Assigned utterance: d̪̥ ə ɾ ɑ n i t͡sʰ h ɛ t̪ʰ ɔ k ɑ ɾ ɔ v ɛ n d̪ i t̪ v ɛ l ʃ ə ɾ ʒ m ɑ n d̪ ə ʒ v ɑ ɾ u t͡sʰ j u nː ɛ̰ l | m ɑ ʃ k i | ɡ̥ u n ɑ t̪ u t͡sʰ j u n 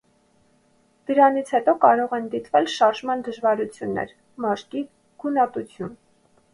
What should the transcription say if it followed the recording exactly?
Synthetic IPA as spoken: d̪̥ ə ɾ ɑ n i t͡sʰ h ɛ t̪ ɔ k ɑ ɾ ɔ ʁ ɛ n d̪ i t̪ v ɛ l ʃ ɑ ɾ ʒ m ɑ n d̪ ə ʒ v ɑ ɾ u t͡sʰ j u nː ɛ̰ ɾ | m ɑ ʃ k i | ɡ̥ u n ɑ t̪ u t͡sʰ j u n

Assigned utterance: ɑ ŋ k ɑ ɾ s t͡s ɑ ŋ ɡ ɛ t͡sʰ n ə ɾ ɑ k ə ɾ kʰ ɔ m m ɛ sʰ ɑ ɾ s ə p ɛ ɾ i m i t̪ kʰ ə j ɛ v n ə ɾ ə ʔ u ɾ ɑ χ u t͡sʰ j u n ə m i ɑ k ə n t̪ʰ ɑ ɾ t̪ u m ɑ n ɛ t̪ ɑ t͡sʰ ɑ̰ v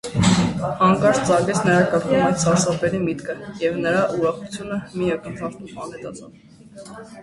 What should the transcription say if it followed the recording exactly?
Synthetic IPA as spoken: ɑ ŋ k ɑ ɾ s t͡s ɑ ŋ ɡ ɛ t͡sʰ n ə ɾ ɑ k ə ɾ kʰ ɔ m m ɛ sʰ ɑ ɾ s ɑ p ɛ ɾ i m i t̪ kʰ ə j ɛ v n ə ɾ ɑ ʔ u ɾ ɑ χ u t͡sʰ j u n ə m i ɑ k ə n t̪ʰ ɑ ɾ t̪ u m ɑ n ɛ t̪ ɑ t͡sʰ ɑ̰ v

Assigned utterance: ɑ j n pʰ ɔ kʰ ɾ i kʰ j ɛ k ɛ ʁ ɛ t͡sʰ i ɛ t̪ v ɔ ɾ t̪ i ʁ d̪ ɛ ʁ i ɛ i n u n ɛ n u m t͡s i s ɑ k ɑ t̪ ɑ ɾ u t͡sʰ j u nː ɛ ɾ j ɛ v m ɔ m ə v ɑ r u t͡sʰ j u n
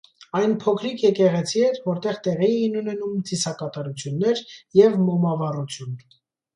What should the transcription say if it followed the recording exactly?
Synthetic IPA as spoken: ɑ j n pʰ ɔ kʰ ɾ i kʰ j ɛ k ɛ ʁ ɛ t͡sʰ i ɛ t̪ v ɔ ɾ t̪ ɛ ʁ t̪ ɛ ʁ i ɛ i n u n ɛ n u m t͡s i s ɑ k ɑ t̪ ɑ ɾ u t͡sʰ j u nː ɛ ɾ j ɛ v m ɔ m ɑ v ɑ r u t͡sʰ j u n

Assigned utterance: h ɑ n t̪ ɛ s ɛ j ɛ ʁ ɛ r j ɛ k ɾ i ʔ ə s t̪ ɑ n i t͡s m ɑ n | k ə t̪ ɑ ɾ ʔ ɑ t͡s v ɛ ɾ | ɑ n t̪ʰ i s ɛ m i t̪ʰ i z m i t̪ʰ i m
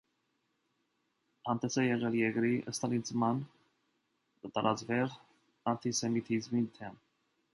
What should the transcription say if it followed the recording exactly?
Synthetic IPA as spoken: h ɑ n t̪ ɛ s ɛ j ɛ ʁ ɛ l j ɛ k ɾ i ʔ ə s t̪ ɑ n i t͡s m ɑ n | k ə t̪ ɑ ɾ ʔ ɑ t͡s v ɛ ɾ | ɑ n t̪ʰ i s ɛ m i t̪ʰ i z m i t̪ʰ ɛ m

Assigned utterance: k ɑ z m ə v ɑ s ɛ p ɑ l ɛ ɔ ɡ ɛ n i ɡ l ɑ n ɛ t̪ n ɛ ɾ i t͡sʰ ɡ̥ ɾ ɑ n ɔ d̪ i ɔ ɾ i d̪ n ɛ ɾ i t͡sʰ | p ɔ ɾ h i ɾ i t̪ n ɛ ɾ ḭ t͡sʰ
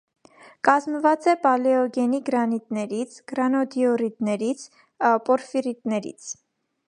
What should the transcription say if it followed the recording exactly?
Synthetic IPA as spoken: k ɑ z m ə v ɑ t͡s ɛ p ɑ l ɛ ɔ ɡ ɛ n i ɡ ɾ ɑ n i t̪ n ɛ ɾ i t͡sʰ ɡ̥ ɾ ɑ n ɔ d̪ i ɔ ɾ i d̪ n ɛ ɾ i t͡sʰ | p ɔ ɾ f i ɾ i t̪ n ɛ ɾ ḭ t͡sʰ

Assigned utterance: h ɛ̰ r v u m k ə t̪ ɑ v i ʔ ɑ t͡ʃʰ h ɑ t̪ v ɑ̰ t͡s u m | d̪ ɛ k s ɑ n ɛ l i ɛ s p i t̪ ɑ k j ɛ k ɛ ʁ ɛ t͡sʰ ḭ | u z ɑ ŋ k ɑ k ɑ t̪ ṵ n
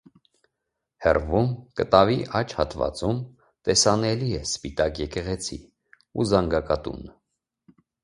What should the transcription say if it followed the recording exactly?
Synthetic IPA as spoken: h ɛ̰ r v u m k ə t̪ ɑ v i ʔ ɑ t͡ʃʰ h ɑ t̪ v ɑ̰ t͡s u m | t̪ ɛ s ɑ n ɛ l i ɛ s p i t̪ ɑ k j ɛ k ɛ ʁ ɛ t͡sʰ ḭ | u z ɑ ŋ ɡ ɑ k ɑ t̪ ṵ n

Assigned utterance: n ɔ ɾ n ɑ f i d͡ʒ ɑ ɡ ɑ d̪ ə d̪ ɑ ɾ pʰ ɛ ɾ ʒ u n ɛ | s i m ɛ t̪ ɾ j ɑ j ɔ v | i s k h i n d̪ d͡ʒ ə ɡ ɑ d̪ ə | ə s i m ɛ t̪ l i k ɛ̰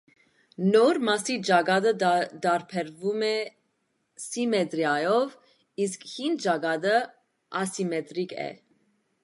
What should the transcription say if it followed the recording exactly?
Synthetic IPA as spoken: n ɔ ɾ m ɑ s i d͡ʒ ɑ ɡ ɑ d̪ ə d̪ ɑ ɾ pʰ ɛ ɾ v u m ɛ | s i m ɛ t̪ ɾ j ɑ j ɔ v | i s k h i n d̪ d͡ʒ ɑ ɡ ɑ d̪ ə | ɑ s i m ɛ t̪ ɾ i k ɛ̰

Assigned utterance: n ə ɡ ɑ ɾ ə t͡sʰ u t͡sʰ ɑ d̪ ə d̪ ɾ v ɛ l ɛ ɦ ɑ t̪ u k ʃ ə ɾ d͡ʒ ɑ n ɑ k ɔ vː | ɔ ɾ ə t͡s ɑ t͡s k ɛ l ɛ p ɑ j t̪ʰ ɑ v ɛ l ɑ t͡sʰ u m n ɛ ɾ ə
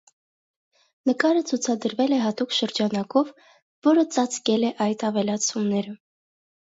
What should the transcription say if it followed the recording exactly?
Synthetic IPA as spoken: n ə k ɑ ɾ ə t͡sʰ u t͡sʰ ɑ d̪ ə ɾ v ɛ l ɛ ɦ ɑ t̪ u k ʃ ə ɾ d͡ʒ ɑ n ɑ k ɔ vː | ɔ ɾ ə t͡s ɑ t͡s k ɛ l ɛ ʔ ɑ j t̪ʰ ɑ v ɛ l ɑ t͡sʰ u m n ɛ ɾ ə

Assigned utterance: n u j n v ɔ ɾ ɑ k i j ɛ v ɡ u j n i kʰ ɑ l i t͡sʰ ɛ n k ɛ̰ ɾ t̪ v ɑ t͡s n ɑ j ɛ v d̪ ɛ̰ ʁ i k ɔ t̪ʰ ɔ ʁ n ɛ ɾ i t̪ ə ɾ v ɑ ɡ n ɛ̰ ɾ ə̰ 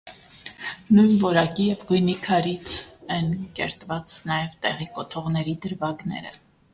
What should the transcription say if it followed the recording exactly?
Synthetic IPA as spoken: n u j n v ɔ ɾ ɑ k i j ɛ v ɡ u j n i kʰ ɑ ɾ i t͡sʰ ɛ n k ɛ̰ ɾ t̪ v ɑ t͡s n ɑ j ɛ v t̪ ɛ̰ ʁ i k ɔ t̪ʰ ɔ ʁ n ɛ ɾ i d̪ ə ɾ v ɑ ɡ n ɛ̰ ɾ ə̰

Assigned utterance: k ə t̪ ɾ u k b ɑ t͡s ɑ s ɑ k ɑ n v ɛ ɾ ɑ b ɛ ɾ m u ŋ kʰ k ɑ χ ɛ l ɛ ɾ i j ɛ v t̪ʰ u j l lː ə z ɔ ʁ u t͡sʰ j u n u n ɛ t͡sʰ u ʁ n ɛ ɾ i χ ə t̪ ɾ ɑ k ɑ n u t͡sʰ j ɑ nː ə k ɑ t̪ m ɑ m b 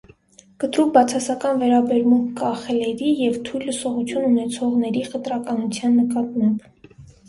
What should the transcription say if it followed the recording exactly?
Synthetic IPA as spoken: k ə t̪ ɾ u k b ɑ t͡sʰ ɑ s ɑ k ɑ n v ɛ ɾ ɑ b ɛ ɾ m u ŋ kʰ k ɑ χ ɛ l ɛ ɾ i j ɛ v t̪ʰ u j l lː ə s ɔ ʁ u t͡sʰ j u n u n ɛ t͡sʰ ɔ ʁ n ɛ ɾ i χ ə t̪ ɾ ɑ k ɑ n u t͡sʰ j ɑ nː ə k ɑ t̪ m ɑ m b

